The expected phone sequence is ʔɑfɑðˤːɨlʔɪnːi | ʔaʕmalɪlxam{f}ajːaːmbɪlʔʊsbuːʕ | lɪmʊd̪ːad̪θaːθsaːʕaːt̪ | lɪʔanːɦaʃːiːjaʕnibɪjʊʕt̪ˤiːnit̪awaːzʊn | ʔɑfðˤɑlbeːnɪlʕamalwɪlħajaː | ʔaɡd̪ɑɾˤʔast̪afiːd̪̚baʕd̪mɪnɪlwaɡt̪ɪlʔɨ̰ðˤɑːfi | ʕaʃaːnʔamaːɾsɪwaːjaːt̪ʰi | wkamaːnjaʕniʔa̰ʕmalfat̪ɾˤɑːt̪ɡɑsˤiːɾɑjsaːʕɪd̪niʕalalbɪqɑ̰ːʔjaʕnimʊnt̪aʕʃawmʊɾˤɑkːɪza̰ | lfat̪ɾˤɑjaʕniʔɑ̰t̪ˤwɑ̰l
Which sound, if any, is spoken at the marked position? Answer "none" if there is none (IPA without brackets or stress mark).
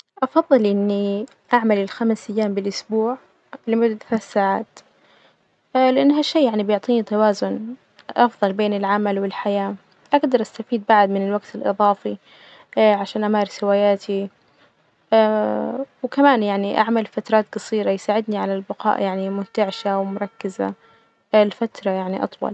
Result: s